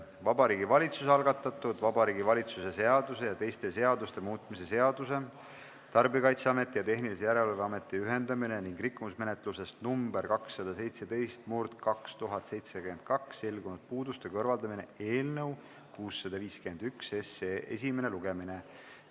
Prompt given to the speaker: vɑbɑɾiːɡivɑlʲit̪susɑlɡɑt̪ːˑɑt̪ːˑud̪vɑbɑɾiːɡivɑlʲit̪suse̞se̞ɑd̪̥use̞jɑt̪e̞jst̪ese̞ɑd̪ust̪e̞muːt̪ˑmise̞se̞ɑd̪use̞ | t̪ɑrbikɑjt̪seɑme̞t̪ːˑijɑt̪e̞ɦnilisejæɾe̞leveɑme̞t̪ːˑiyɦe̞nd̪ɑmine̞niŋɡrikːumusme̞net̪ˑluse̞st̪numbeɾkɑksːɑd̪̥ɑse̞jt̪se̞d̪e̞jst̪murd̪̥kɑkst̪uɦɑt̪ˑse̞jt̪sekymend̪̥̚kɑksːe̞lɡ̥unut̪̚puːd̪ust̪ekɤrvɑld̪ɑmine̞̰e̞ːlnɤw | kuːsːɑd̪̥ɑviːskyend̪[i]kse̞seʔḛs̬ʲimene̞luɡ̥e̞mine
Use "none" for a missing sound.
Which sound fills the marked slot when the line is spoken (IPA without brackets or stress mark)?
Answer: y